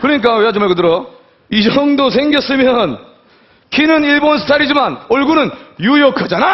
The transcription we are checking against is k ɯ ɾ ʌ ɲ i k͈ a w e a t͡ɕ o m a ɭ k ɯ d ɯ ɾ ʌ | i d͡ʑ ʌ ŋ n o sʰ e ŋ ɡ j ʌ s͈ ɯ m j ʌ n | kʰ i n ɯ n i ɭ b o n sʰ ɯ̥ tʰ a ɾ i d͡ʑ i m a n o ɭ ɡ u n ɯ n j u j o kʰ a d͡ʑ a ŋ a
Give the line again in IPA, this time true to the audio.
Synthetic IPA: k ɯ ɾ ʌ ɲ i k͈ a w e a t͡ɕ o m a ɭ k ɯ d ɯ ɾ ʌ | i d͡ʑ ʌ ŋ d o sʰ e ŋ ɡ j ʌ s͈ ɯ m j ʌ n | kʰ i n ɯ n i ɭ b o n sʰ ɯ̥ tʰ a ɾ i d͡ʑ i m a n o ɭ ɡ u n ɯ n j u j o kʰ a d͡ʑ a n a

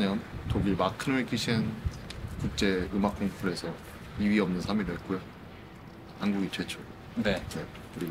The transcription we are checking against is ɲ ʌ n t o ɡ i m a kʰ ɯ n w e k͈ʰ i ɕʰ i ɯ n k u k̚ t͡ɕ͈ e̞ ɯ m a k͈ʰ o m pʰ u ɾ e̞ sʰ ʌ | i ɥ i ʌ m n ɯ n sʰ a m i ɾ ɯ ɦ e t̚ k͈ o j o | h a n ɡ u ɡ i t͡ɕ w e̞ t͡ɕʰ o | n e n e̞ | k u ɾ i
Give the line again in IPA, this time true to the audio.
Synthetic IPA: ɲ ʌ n t o ɡ i m a kʰ ɯ n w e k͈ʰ i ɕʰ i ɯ n k u k̚ t͡ɕ͈ e̞ ɯ m a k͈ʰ o ŋ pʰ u ɾ e̞ sʰ ʌ | i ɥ i ʌ m n ɯ n sʰ a m i ɾ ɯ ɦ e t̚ k͈ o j o | h a n ɡ u ɡ i t͡ɕ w e̞ t͡ɕʰ o | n e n e̞ | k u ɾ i

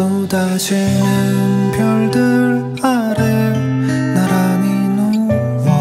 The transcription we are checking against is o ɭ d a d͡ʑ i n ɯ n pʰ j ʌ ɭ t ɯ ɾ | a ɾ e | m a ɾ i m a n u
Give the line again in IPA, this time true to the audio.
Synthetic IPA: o d a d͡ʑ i n ɯ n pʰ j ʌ ɭ d ɯ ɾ | a ɾ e | n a ɾ a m i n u

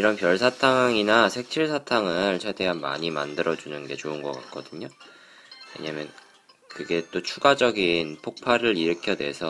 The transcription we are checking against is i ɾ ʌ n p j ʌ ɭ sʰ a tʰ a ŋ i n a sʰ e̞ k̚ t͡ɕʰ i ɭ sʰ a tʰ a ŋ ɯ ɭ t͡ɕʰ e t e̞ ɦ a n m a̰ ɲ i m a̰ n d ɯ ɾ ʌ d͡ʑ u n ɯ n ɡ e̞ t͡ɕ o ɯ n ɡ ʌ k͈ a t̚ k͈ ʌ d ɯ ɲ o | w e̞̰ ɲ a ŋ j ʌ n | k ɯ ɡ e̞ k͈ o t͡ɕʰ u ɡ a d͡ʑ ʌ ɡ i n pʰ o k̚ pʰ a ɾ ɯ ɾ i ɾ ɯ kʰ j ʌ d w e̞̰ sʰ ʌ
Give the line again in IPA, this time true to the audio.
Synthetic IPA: i ɾ ʌ n p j ʌ ɭ sʰ a tʰ a ŋ i n a sʰ e̞ k̚ t͡ɕʰ i ɭ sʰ a tʰ a ŋ ɯ ɭ t͡ɕʰ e d e̞ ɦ a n m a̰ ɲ i m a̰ n d ɯ ɾ ʌ d͡ʑ u n ɯ n ɡ e̞ t͡ɕ o ɯ n ɡ ʌ k͈ a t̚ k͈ ʌ d ɯ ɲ o | w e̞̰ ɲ a m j ʌ n | k ɯ ɡ e̞ t͈ o t͡ɕʰ u ɡ a d͡ʑ ʌ ɡ i n pʰ o k̚ pʰ a ɾ ɯ ɾ i ɾ ɯ kʰ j ʌ d w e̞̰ sʰ ʌ

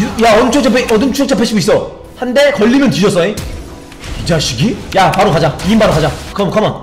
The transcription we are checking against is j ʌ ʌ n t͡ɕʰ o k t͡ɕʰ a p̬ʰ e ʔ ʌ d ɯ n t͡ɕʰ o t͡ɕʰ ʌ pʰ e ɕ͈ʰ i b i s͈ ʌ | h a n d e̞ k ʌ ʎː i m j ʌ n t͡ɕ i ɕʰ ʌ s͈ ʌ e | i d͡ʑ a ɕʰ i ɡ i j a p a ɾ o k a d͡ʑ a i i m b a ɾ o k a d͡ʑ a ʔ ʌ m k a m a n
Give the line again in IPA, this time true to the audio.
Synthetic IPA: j a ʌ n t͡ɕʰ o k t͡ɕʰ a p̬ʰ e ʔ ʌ d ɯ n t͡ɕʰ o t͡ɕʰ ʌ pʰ e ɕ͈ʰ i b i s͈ ʌ | h a n d e̞ k ʌ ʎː i m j ʌ n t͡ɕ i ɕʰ ʌ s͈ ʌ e | i d͡ʑ a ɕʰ i ɡ i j a p a ɾ o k a d͡ʑ a i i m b a ɾ o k a d͡ʑ a k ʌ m k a m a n

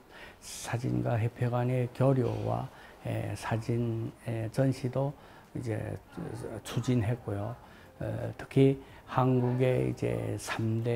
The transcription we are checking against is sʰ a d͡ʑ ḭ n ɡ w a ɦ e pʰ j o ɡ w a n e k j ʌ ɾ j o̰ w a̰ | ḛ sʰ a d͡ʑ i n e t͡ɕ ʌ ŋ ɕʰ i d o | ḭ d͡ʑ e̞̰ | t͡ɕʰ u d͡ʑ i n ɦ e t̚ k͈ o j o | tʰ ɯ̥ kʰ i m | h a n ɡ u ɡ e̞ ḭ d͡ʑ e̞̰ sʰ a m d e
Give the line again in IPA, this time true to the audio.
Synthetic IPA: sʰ a d͡ʑ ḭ n ɡ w a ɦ e pʰ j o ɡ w a n e k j ʌ ɾ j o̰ w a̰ | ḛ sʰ a d͡ʑ i n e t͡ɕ ʌ n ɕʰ i d o | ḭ d͡ʑ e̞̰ | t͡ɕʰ u d͡ʑ i n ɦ e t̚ k͈ o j o | tʰ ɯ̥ kʰ i | h a n ɡ u ɡ e̞ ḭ d͡ʑ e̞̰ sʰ a m d e

